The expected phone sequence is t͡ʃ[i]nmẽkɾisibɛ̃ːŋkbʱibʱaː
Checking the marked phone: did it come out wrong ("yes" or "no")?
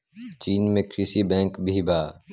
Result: yes